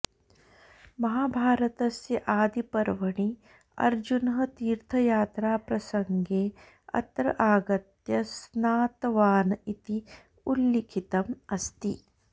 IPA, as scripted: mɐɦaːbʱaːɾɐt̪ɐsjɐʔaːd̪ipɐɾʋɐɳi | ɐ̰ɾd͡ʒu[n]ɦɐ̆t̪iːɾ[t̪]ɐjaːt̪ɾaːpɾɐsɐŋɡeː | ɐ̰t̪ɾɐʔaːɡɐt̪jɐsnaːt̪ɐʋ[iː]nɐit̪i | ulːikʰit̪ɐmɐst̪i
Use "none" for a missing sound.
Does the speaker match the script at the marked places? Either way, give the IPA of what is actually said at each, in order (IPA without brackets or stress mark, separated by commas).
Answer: n, t̪ʰ, aː